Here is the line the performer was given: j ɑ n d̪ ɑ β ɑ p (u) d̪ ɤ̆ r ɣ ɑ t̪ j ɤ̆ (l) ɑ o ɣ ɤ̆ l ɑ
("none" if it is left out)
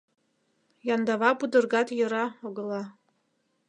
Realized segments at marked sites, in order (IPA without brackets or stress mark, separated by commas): u, ɾ